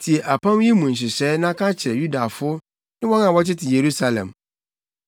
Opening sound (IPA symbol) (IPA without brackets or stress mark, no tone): tʰ